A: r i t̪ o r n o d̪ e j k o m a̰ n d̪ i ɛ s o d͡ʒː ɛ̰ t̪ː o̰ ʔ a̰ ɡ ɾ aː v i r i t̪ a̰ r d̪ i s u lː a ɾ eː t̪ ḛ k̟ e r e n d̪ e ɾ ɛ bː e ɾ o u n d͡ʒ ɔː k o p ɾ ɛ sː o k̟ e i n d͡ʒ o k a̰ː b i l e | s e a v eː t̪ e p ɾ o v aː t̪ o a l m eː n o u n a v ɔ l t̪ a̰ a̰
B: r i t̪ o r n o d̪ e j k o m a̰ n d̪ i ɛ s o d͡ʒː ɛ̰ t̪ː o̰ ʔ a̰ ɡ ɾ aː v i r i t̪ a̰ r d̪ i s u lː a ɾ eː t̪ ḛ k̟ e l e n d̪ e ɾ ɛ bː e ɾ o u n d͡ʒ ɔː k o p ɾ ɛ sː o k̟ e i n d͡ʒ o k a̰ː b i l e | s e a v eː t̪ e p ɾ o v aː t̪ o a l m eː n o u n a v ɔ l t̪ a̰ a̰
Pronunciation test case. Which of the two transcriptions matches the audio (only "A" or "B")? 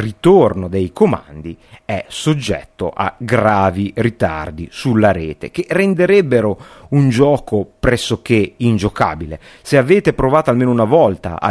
A